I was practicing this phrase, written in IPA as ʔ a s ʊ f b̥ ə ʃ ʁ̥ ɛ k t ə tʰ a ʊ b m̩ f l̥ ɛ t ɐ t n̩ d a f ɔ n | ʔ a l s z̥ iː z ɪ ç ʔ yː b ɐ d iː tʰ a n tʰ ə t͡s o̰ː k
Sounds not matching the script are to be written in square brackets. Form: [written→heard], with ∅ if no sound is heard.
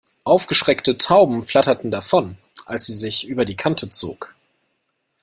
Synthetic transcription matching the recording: ʔ a [s→∅] ʊ f [b̥→ɡ̥] ə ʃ ʁ̥ ɛ k t ə tʰ a ʊ b m̩ f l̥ [ɛ→a] t ɐ t n̩ d a f ɔ n | ʔ a l s z̥ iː z ɪ ç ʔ yː b ɐ d iː [tʰ→kʰ] a n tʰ ə t͡s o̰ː k